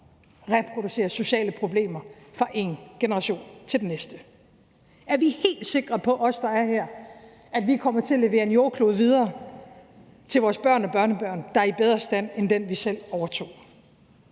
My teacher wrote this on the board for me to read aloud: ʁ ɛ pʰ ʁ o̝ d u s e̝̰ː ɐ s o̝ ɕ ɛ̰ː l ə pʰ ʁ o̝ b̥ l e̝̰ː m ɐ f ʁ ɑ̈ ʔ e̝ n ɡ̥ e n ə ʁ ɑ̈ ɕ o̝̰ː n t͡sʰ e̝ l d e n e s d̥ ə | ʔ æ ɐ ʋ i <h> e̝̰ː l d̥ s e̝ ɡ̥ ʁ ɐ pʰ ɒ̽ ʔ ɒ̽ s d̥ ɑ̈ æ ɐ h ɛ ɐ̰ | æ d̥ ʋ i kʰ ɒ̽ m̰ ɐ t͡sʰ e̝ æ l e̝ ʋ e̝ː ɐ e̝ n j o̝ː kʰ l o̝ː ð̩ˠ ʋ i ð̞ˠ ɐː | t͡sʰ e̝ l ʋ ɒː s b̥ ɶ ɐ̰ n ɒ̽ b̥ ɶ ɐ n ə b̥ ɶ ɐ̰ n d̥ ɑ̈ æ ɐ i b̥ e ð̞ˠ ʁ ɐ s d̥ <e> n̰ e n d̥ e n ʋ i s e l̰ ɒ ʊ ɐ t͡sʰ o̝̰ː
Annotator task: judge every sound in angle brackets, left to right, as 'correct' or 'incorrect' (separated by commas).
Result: correct, incorrect